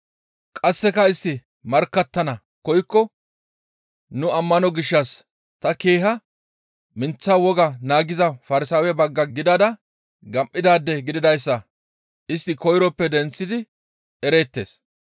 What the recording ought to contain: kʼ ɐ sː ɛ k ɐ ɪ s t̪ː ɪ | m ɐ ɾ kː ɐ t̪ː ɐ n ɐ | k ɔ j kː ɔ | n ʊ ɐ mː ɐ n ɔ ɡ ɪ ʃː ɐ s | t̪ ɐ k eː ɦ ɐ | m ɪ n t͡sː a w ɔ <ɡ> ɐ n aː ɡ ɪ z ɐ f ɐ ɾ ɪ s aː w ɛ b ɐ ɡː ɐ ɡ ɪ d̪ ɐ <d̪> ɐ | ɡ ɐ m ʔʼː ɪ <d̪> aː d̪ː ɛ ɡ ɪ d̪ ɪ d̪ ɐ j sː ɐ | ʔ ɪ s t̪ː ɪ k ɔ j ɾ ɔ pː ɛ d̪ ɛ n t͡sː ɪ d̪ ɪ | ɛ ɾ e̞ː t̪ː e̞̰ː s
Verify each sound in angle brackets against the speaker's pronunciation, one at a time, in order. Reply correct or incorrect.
correct, correct, correct

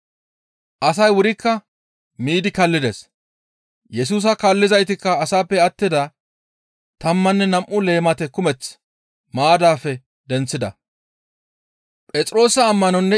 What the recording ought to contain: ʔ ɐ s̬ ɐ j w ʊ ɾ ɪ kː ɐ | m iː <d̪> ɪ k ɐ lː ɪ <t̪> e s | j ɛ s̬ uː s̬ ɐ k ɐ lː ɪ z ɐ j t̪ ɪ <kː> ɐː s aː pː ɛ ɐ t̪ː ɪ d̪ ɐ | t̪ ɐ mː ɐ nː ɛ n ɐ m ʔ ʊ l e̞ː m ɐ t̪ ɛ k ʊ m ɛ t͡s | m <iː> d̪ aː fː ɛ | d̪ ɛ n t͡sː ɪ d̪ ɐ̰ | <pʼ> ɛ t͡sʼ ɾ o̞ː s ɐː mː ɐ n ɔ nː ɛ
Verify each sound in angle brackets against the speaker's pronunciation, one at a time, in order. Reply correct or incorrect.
correct, incorrect: d̪, correct, incorrect: aː, correct

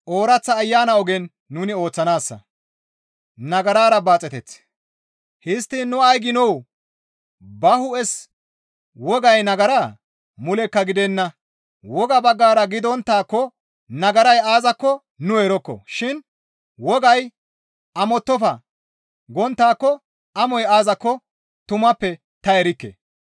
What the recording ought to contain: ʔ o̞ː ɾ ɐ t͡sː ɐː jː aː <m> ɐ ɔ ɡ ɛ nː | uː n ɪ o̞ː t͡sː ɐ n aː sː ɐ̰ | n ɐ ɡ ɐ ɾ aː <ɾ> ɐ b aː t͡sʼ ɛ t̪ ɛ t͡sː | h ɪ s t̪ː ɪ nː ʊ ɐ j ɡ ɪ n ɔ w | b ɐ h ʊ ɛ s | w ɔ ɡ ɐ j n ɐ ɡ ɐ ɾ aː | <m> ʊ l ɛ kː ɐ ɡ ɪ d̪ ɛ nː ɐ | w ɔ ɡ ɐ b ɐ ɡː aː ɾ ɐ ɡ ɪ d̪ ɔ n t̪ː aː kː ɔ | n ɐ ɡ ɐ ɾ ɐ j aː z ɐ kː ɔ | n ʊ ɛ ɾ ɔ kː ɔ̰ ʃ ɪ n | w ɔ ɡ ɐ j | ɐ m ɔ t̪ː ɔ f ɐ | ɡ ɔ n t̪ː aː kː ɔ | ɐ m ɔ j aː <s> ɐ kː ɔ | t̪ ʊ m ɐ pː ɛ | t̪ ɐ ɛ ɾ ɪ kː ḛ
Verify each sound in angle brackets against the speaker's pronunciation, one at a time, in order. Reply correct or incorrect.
incorrect: n, correct, correct, incorrect: z

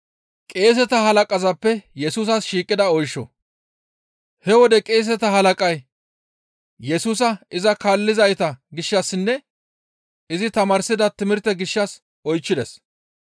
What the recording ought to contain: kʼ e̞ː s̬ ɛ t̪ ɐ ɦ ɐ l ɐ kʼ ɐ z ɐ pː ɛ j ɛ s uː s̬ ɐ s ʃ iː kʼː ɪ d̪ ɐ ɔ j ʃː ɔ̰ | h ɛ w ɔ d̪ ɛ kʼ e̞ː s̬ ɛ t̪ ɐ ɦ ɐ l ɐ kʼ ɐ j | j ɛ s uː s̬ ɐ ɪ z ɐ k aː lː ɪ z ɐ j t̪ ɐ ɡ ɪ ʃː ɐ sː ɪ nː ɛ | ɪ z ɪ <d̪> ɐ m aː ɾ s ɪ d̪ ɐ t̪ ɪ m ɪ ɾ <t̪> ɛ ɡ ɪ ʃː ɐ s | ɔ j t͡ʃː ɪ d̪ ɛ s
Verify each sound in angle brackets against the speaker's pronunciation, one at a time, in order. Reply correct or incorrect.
incorrect: t̪, correct

